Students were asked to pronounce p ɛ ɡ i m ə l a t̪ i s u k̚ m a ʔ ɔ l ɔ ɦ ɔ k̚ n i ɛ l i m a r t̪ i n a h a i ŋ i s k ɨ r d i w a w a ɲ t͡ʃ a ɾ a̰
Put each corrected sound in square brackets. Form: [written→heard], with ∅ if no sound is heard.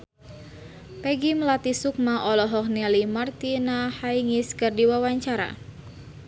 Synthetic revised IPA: p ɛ ɡ i m ə l a t̪ i s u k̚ m a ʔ ɔ l ɔ ɦ ɔ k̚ n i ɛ l i m a r t̪ i n a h a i ŋ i s k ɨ r d i w a w a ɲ t͡ʃ a ɾ a̰